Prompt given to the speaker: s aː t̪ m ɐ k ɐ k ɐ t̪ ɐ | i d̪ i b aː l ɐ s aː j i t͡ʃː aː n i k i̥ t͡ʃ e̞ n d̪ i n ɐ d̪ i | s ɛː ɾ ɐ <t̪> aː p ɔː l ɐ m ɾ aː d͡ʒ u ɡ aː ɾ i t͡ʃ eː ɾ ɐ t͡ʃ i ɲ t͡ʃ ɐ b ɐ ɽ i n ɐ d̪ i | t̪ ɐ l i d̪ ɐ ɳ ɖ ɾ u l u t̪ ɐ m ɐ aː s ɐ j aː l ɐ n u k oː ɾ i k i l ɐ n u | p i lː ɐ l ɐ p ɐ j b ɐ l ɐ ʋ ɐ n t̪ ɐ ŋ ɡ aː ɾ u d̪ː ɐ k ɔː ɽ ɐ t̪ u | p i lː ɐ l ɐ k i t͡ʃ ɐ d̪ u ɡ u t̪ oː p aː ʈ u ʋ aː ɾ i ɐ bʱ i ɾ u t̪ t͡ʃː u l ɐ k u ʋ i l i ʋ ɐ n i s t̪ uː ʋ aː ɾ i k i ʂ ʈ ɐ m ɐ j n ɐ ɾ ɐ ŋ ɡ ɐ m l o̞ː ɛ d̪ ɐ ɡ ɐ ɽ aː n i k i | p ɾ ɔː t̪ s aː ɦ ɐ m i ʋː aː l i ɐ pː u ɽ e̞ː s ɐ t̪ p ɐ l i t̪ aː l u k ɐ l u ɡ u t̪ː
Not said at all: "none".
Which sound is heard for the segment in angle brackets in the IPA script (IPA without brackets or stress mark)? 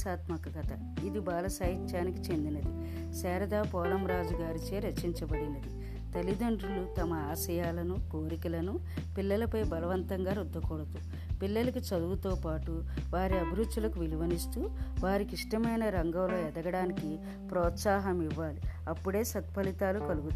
d̪